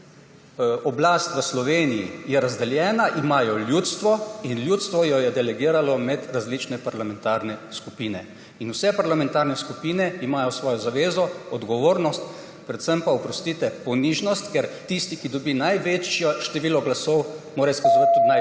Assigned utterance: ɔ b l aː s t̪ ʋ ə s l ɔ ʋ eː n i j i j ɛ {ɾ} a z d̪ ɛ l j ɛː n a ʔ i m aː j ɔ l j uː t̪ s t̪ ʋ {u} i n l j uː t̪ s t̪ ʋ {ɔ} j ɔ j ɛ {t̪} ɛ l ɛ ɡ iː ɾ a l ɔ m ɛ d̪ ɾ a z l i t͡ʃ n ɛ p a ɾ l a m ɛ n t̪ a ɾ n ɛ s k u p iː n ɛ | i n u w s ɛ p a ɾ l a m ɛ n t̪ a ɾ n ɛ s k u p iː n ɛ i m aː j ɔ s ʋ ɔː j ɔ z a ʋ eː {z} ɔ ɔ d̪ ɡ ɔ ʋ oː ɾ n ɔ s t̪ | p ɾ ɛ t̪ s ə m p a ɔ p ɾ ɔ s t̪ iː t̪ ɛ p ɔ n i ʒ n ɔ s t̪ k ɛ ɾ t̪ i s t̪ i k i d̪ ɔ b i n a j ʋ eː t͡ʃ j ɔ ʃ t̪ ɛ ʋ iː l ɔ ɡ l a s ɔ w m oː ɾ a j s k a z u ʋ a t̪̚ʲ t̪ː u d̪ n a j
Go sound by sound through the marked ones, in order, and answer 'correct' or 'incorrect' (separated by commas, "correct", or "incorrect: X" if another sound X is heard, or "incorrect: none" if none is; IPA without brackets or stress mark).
correct, incorrect: ɔ, correct, incorrect: d̪, correct